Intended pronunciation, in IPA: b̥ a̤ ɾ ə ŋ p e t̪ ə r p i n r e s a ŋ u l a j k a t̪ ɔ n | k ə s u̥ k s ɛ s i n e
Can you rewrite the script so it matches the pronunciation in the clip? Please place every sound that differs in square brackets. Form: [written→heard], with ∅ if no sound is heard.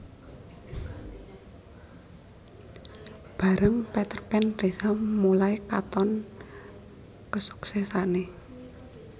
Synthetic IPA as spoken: b̥ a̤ ɾ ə ŋ p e t̪ ə r p [i→ɛ] n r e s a [ŋ→m] u l a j k a t̪ ɔ n | k ə s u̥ k s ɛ s [i→a] n e

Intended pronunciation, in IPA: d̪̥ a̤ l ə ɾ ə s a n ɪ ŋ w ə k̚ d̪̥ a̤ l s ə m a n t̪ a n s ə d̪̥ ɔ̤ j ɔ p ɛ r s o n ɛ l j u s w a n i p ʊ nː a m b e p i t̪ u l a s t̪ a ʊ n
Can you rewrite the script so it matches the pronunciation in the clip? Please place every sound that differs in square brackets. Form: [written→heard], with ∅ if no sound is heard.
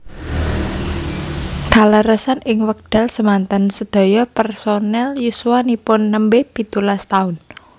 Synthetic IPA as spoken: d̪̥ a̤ l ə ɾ ə s a n ɪ ŋ w ə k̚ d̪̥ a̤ l s ə m a n t̪ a n s ə d̪̥ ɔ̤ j ɔ p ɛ r s o n ɛ l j u s w a n i p ʊ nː [a→ə] m b e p i t̪ u l a s t̪ a ʊ n

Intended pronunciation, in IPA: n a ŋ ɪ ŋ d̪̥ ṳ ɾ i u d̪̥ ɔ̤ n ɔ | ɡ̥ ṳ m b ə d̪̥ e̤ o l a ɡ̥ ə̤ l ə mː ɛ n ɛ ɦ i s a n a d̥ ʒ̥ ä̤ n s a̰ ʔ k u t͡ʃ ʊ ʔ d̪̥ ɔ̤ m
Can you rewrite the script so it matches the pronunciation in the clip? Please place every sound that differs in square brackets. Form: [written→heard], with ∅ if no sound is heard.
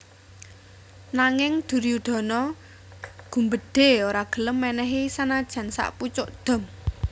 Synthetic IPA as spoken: n a ŋ ɪ ŋ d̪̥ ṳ ɾ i u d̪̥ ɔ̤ n ɔ | ɡ̥ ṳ m b ə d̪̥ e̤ o [l→ɾ] a ɡ̥ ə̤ l ə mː ɛ n ɛ ɦ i s a n a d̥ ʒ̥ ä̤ n s a̰ ʔ [k→p] u t͡ʃ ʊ ʔ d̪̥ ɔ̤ m

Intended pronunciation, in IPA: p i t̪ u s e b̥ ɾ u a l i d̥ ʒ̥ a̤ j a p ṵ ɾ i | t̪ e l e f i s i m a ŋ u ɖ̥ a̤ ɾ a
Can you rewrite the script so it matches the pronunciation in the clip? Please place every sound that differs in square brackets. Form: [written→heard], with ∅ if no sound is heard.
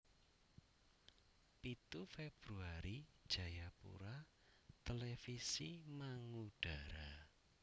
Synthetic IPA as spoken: p i t̪ u [s→f] e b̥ ɾ u a [l→ɾ] i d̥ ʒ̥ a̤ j a p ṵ ɾ [i→a] | t̪ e l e f i s i m a ŋ u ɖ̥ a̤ ɾ a

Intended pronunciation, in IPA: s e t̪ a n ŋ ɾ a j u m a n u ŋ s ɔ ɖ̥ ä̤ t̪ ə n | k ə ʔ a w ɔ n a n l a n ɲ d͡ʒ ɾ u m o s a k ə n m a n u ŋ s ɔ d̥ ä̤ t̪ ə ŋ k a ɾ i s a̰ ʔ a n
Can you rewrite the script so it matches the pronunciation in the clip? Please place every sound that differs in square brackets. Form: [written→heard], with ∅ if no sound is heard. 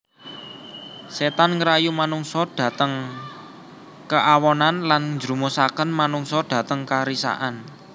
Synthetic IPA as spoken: s e t̪ a n ŋ ɾ a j u m a n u ŋ s ɔ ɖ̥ ä̤ t̪ ə [n→ŋ] | k ə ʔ a w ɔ n a n l a n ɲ d͡ʒ ɾ u m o s a k ə n m a n u ŋ s ɔ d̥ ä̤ t̪ ə ŋ k a ɾ i s a̰ ʔ a n

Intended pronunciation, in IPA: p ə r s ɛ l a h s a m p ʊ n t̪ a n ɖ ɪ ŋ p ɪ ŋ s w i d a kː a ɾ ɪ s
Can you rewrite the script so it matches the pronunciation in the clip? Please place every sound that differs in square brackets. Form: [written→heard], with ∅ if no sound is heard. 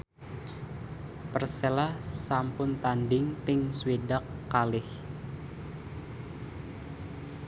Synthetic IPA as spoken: p ə r s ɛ l a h s a m p ʊ n t̪ a n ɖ ɪ ŋ p ɪ ŋ s w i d a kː a [ɾ→l] ɪ [s→h]

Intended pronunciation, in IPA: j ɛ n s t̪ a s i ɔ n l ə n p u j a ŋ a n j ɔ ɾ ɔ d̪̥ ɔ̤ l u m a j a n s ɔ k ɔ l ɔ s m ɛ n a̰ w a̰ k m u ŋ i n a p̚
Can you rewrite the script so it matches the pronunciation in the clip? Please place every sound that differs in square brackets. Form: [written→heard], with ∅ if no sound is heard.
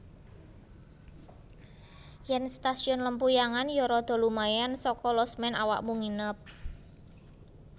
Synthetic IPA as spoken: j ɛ n s t̪ a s i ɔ n l ə [n→m] p u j a ŋ a n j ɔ ɾ ɔ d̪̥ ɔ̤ l u m a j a n s ɔ k ɔ l ɔ s m ɛ n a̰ w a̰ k m u ŋ i n [a→ə] p̚

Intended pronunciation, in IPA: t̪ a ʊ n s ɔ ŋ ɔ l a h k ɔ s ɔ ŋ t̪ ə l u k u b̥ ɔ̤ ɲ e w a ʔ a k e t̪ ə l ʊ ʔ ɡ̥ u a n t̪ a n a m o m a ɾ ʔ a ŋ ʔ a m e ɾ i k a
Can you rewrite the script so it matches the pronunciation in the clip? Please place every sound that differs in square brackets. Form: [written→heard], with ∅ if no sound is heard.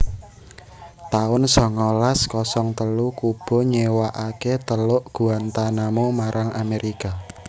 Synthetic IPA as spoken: t̪ a ʊ n s ɔ ŋ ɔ l a [h→s] k ɔ s ɔ ŋ t̪ ə l u k u b̥ ɔ̤ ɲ e w a ʔ a k e t̪ ə l ʊ ʔ ɡ̥ u a n t̪ a n a m o m a ɾ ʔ a ŋ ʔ a m e ɾ i k a

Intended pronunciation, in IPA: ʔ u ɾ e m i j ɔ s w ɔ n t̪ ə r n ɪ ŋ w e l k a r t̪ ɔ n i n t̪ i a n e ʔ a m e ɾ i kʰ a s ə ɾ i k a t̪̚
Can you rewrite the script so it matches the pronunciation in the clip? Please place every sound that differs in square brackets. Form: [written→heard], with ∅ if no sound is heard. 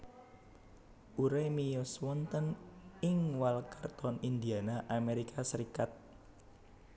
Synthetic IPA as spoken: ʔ u ɾ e m i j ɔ s w ɔ n t̪ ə [r→∅] n ɪ ŋ w [e→a] l k a r t̪ ɔ n i n [t̪→d̪] i a n [e→a] ʔ a m e ɾ i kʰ a s ə ɾ i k a t̪̚

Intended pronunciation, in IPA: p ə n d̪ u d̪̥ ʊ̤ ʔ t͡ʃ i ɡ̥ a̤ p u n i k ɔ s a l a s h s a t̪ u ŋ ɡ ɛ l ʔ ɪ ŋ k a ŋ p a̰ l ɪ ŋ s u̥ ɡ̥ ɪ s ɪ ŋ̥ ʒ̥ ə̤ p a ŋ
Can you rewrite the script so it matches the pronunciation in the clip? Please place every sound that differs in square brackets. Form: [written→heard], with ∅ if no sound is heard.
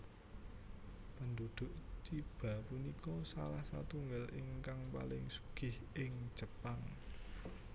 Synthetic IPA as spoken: p ə n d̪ u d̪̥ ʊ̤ ʔ t͡ʃ i [ɡ̥→b̥] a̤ p u n i k ɔ s a l a [s→∅] h s a t̪ u ŋ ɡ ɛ l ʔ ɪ ŋ k a ŋ p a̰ l ɪ ŋ s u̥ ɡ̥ ɪ [s→h] ɪ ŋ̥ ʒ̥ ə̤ p a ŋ

